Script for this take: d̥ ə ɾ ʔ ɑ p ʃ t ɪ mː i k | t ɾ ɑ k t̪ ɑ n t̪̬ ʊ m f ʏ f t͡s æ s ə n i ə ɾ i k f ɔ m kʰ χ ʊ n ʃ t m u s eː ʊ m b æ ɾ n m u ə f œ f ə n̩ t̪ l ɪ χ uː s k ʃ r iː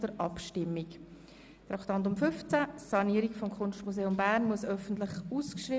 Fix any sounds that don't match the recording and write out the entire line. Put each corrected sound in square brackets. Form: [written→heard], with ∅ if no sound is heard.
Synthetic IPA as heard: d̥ ə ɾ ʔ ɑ p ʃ t ɪ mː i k | t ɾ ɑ k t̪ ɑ n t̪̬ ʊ m f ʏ f t͡s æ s [ə→ɑ] n i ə ɾ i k f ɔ m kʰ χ ʊ n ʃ t m u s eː ʊ m b æ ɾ n m u ə [f→s] œ f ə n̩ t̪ l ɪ χ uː s k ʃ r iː